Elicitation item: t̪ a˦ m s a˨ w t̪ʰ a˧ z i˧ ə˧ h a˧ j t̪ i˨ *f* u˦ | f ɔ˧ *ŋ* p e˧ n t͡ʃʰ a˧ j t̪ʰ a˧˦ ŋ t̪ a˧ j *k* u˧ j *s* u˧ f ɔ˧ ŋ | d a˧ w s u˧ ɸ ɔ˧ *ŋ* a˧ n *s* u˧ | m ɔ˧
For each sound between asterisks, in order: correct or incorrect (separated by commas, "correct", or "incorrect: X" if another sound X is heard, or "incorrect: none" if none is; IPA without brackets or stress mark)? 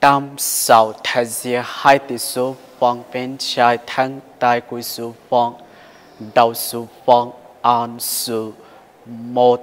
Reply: incorrect: s, correct, correct, correct, correct, correct